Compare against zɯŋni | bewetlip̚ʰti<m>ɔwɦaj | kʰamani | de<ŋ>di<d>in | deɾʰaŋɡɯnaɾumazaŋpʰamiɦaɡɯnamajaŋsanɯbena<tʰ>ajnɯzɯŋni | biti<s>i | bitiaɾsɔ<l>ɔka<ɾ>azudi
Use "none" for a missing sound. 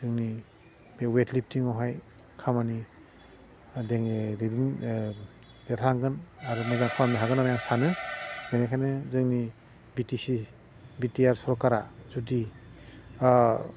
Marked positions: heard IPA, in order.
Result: ŋ, ŋ, d, kʰ, s, ɾ, ɾ

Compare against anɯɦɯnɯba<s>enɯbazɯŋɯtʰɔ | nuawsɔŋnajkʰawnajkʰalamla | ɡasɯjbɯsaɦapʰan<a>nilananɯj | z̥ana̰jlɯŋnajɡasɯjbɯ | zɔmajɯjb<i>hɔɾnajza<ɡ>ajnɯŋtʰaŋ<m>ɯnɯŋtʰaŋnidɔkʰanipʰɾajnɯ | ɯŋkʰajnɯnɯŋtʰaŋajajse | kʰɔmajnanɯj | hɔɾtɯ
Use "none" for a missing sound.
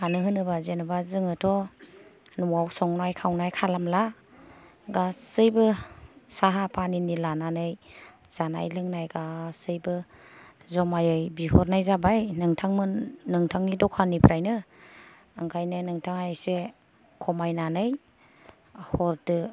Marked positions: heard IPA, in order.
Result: z, i, i, b, m

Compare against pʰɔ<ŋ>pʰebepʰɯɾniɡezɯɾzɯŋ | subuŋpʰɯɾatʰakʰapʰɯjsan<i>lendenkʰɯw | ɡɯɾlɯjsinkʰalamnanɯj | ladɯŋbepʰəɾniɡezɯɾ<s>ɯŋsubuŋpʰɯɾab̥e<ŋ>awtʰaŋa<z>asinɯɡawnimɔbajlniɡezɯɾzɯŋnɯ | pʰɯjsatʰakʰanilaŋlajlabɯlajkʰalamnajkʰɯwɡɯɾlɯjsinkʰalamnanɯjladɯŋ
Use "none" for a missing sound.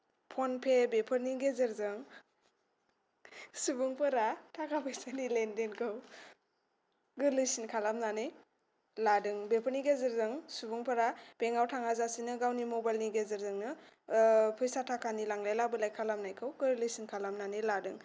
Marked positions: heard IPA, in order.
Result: n, i, z, ŋ, z

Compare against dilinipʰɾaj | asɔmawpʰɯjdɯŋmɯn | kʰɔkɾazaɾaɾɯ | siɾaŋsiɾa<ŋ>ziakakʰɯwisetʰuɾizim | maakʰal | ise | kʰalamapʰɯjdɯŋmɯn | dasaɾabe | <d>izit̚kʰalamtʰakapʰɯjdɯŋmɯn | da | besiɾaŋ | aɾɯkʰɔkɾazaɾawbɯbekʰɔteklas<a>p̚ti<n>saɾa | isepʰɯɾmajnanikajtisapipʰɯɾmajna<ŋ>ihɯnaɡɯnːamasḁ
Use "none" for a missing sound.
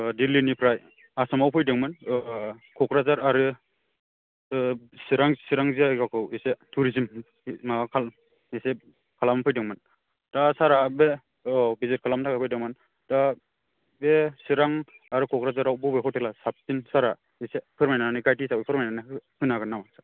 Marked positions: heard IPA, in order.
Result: ŋ, b, a, n, n

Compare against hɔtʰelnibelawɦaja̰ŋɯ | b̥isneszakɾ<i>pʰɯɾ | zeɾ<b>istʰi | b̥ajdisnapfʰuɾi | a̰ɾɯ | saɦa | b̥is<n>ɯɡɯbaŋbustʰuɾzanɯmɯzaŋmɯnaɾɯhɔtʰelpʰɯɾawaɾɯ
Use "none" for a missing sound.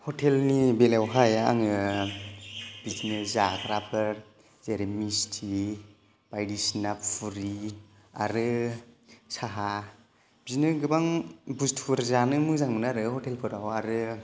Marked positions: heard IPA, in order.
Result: a, m, n

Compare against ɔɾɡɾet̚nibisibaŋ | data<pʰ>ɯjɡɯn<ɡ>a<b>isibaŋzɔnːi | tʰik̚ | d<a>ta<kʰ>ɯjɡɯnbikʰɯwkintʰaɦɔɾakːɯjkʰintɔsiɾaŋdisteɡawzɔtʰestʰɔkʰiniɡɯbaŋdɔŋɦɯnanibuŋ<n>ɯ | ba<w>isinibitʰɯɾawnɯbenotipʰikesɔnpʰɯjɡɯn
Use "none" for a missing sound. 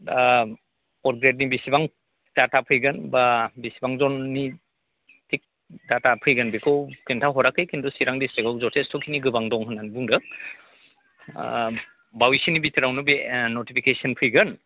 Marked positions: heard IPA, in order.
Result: pʰ, b, b, a, pʰ, d, w

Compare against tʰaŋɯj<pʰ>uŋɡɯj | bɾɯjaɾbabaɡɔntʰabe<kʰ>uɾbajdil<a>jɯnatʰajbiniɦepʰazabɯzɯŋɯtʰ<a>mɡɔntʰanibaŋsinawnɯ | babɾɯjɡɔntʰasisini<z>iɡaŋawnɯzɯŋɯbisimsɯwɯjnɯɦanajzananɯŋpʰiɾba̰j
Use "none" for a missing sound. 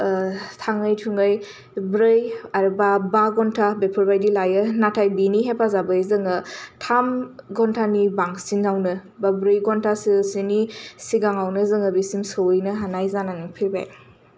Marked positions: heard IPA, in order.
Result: tʰ, pʰ, a, a, s

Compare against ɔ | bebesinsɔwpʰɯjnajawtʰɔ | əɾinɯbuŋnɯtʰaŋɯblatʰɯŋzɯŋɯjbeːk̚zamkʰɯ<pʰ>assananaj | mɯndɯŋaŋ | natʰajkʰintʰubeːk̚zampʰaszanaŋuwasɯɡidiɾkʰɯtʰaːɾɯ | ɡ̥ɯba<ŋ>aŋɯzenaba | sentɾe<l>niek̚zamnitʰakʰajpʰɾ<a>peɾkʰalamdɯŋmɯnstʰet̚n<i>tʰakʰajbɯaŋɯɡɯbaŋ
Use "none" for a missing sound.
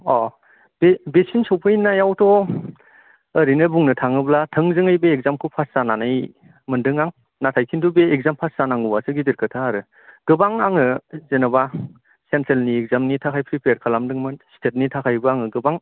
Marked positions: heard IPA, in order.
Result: pʰ, ŋ, l, i, i

